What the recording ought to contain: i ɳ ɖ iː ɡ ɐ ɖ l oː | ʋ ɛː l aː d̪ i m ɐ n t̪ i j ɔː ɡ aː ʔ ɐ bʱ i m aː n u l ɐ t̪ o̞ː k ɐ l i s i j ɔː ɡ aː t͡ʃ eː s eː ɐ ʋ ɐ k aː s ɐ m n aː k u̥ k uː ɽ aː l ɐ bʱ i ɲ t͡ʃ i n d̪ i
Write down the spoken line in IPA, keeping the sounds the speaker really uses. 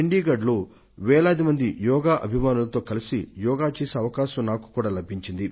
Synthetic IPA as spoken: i ɳ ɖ iː ɡ ɐ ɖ l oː | ʋ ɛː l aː d̪ i m ɐ n d̪ i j ɔː ɡ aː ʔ ɐ bʱ i m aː n u l ɐ t̪ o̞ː k ɐ l i s i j ɔː ɡ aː t͡ʃ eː s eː ɐ ʋ ɐ k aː ʃ ɐ m n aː k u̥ k uː ɽ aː l ɐ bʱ i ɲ t͡ʃ i n d̪ i